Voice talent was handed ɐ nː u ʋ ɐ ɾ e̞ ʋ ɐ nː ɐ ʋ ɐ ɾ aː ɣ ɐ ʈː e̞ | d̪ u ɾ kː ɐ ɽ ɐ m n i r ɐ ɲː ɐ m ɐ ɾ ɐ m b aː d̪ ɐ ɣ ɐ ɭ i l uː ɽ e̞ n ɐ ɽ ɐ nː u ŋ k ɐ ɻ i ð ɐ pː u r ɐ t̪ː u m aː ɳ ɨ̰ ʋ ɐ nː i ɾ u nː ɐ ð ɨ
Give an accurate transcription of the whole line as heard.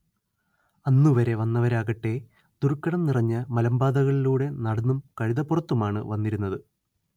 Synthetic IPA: ɐ nː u ʋ ɐ ɾ e̞ ʋ ɐ nː ɐ ʋ ɐ ɾ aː ɣ ɐ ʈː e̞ | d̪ u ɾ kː ɐ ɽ ɐ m n i r ɐ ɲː ɐ m ɐ l ɐ m b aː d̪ ɐ ɣ ɐ ɭ i l uː ɽ e̞ n ɐ ɽ ɐ nː u m k ɐ ɻ i ð ɐ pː u r ɐ t̪ː u m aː ɳ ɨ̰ ʋ ɐ nː i ɾ u nː ɐ ð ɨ